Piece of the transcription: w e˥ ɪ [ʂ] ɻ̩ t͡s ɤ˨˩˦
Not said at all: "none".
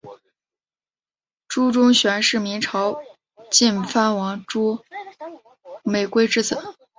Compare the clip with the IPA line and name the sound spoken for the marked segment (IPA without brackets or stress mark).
ʈ͡ʂ